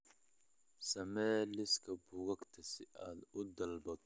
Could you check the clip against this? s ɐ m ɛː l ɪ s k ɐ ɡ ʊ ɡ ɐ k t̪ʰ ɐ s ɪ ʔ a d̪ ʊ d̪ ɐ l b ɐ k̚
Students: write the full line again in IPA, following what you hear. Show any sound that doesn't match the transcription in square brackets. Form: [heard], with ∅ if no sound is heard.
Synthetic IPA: s ɐ m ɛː l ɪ s k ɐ [b] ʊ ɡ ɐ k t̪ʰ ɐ s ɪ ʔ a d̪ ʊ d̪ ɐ l b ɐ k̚